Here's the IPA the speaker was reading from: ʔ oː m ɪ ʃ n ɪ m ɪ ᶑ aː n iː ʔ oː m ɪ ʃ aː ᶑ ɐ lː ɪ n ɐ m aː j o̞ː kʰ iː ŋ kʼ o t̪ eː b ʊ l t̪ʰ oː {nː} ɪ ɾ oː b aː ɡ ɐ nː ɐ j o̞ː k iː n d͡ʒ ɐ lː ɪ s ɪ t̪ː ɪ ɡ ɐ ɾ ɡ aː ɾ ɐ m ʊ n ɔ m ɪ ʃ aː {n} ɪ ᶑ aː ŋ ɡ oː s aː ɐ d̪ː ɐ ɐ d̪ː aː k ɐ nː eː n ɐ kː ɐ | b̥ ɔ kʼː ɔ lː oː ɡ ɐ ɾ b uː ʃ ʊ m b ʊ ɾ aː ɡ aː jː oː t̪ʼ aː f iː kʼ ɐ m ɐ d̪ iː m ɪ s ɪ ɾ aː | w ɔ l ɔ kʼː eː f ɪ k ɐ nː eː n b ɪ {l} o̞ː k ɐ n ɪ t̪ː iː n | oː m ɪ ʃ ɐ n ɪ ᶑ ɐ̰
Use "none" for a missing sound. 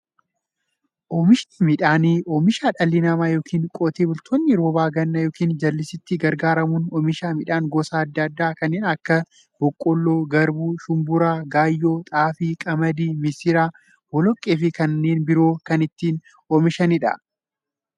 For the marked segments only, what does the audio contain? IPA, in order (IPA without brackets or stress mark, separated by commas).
nː, m, ɾ